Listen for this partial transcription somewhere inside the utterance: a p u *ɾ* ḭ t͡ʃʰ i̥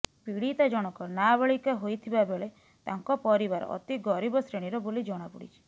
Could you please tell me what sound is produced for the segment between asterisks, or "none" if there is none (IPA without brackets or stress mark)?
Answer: ɽ